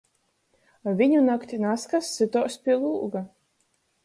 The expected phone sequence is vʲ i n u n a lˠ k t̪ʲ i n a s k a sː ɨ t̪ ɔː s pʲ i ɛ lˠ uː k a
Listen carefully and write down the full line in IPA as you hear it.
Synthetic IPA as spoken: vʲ i ɲ u n a k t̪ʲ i n a s k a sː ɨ t̪ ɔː s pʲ i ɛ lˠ uː ɡ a